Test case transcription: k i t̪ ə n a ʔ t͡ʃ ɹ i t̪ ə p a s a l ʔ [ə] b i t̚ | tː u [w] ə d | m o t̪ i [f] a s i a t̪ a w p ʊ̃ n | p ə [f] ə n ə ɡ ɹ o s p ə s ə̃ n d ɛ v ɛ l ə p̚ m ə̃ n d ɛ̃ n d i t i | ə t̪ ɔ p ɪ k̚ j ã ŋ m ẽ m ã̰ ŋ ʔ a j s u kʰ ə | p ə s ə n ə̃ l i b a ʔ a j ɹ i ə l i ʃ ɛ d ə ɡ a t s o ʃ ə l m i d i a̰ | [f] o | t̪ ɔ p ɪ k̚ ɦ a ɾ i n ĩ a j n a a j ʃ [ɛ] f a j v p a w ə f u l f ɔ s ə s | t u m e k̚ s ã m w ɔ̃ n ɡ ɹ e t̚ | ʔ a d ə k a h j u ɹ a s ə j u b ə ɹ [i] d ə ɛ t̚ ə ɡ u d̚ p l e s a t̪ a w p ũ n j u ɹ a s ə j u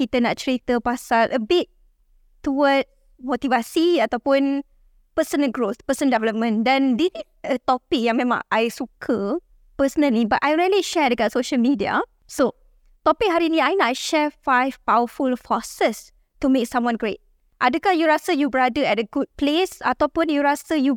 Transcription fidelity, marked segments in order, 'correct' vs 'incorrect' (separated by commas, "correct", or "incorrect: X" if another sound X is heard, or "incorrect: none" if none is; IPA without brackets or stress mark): correct, correct, incorrect: v, incorrect: s, incorrect: s, correct, incorrect: a